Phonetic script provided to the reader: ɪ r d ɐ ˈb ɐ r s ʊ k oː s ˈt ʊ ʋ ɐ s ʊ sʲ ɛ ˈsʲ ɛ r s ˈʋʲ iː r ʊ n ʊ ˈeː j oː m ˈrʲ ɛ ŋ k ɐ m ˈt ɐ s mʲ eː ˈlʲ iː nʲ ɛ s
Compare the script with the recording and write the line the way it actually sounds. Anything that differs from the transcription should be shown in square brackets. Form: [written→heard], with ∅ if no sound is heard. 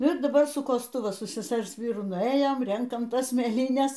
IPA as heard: ɪ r d ɐ ˈb ɐ r s ʊ k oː s ˈt ʊ ʋ ɐ s ʊ sʲ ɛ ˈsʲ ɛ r s ˈʋʲ iː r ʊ n ʊ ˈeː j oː m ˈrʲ ɛ ŋ k ɐ m ˈt ɐ s mʲ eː ˈlʲ iː nʲ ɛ s